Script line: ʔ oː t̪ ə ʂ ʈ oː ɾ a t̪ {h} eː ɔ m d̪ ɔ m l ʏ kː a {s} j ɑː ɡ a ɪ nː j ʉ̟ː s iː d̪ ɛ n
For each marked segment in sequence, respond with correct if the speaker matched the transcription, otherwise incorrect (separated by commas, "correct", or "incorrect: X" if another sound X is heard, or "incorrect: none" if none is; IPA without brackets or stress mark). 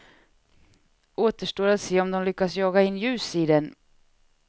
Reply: incorrect: s, correct